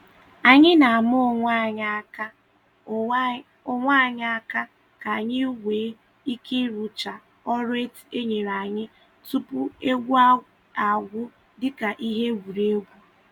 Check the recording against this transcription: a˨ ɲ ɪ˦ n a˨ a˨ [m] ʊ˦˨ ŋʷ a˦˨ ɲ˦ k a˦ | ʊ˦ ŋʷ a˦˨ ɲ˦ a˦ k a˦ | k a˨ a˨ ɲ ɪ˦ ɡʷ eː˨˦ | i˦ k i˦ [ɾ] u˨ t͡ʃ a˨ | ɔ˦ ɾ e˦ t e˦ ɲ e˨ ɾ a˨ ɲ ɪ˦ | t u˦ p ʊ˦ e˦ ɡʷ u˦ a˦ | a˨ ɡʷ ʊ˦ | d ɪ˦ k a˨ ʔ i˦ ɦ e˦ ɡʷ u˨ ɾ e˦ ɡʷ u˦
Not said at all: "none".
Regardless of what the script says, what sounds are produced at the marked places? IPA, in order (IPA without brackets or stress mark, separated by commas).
m, ɾ